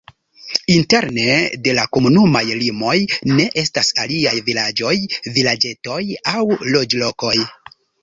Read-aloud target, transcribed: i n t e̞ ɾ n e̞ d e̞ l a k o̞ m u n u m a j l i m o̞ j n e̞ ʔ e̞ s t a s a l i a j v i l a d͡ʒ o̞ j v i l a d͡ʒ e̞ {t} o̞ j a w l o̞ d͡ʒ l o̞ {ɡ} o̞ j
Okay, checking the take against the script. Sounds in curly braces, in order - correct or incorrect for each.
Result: correct, incorrect

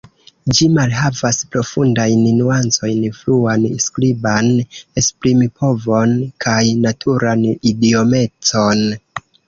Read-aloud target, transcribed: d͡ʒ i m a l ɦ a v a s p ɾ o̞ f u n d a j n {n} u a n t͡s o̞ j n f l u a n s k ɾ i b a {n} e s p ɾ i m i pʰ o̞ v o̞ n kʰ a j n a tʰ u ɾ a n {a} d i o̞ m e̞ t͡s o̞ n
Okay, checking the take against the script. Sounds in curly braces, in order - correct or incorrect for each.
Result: correct, correct, incorrect

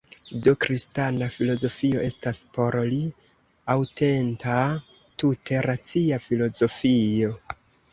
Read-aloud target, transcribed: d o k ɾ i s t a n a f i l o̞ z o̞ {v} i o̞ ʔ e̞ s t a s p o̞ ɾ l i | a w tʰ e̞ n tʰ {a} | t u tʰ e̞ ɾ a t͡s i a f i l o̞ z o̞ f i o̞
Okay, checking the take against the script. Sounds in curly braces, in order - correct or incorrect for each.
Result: incorrect, correct

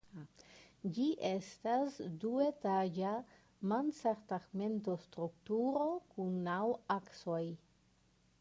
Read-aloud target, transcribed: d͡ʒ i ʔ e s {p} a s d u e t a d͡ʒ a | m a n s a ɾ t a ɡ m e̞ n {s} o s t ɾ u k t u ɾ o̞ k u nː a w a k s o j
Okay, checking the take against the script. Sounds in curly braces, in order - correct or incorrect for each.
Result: incorrect, incorrect

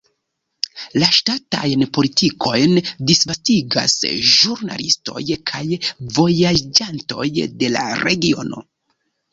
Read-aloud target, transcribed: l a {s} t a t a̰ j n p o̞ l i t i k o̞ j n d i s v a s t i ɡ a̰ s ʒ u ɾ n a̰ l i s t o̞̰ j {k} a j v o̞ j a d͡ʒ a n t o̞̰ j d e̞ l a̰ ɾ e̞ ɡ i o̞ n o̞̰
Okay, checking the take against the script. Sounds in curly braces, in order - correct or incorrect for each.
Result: incorrect, incorrect

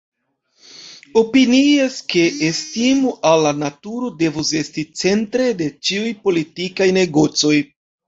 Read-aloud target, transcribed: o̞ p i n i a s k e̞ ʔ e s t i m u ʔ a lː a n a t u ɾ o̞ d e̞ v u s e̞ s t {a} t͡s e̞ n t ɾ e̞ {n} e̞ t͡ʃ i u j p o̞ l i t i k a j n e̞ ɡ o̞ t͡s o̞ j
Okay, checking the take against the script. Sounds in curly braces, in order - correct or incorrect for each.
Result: incorrect, incorrect

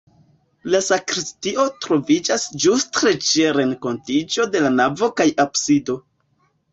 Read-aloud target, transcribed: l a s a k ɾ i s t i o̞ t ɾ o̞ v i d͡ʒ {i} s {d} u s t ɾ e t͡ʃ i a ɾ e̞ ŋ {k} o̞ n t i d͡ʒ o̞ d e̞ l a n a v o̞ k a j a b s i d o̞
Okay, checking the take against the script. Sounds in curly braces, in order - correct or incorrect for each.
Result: incorrect, incorrect, correct

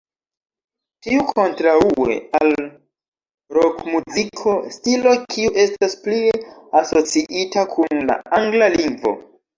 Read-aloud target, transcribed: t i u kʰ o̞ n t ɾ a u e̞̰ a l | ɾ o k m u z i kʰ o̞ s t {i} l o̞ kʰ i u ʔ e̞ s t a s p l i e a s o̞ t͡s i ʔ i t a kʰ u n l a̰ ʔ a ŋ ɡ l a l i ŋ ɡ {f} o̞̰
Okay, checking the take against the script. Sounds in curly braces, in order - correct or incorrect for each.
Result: correct, incorrect

